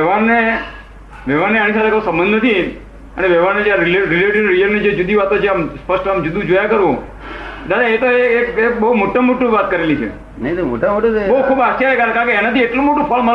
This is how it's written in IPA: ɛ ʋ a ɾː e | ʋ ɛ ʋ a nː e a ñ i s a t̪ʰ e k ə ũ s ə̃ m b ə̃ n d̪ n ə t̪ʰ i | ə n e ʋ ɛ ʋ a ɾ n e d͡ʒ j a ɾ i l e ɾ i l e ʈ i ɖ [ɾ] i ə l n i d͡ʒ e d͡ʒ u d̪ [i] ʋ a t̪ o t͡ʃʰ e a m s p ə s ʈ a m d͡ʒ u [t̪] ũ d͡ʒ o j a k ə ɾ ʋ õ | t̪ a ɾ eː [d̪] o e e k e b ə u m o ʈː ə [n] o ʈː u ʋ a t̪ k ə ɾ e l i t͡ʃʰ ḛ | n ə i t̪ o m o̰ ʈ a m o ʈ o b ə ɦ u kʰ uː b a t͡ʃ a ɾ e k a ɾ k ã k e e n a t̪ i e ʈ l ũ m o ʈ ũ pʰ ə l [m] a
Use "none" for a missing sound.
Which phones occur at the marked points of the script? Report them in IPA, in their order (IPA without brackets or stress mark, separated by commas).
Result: ɾ, i, d̪, t̪, m, m